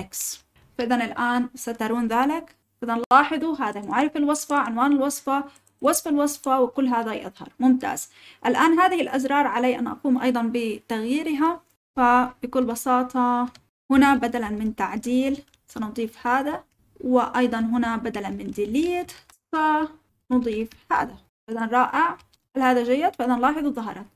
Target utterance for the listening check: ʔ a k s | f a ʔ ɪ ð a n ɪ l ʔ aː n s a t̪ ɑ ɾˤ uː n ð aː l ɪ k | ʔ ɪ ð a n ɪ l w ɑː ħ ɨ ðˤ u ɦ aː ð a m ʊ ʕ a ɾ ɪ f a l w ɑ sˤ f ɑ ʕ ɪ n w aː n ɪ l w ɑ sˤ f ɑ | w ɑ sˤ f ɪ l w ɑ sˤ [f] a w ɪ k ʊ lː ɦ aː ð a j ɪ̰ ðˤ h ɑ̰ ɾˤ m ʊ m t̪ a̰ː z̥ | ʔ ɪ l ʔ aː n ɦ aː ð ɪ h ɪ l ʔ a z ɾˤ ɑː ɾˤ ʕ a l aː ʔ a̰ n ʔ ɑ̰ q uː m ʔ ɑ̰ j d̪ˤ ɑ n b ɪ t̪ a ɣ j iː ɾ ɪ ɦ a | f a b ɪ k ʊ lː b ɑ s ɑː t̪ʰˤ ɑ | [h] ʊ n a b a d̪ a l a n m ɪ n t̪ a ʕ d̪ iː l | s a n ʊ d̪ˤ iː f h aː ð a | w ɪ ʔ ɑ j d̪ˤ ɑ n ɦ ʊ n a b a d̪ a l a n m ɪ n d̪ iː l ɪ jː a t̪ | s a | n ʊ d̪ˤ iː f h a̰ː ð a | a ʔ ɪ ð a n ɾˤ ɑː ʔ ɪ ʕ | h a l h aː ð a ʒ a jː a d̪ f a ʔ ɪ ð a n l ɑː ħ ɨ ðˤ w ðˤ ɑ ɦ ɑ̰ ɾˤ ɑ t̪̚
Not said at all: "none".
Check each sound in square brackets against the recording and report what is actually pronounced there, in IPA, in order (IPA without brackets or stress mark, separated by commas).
f, h